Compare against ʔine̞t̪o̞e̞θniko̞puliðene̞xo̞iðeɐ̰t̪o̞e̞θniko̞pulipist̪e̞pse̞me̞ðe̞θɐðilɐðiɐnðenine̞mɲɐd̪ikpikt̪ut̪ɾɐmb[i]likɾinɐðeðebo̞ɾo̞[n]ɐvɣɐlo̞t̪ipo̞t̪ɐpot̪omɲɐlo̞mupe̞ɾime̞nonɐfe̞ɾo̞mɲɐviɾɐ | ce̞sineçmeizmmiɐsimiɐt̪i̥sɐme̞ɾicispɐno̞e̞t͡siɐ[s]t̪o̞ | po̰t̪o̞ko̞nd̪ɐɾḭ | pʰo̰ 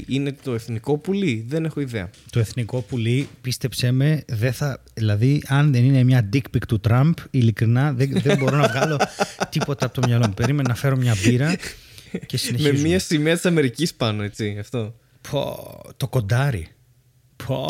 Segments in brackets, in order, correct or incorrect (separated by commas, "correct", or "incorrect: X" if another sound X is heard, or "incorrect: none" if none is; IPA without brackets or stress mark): correct, correct, incorrect: f